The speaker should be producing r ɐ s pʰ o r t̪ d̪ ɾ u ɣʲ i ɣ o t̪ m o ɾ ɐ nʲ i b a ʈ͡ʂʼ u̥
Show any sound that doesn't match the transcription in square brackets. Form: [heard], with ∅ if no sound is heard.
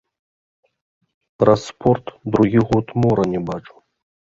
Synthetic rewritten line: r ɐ s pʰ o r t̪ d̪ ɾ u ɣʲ i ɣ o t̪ m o ɾ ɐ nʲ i b a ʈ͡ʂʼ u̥